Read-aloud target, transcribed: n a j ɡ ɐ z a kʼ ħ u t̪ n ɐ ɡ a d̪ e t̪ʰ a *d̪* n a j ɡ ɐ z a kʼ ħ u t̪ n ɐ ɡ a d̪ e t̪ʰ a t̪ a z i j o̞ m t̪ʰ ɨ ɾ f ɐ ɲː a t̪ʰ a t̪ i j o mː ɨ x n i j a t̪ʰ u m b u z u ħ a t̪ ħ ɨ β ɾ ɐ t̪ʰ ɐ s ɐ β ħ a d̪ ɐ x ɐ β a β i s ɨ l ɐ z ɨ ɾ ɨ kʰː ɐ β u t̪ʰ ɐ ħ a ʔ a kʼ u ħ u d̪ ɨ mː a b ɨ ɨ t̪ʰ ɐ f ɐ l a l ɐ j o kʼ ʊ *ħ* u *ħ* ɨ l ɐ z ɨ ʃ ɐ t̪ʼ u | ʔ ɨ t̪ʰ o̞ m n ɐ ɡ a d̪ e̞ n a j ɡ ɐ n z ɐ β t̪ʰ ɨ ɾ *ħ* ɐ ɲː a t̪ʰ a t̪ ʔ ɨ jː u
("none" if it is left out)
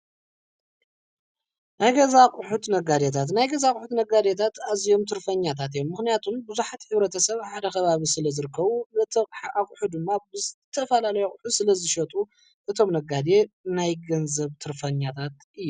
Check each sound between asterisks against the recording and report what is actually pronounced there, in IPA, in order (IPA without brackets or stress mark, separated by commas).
t̪, ħ, s, f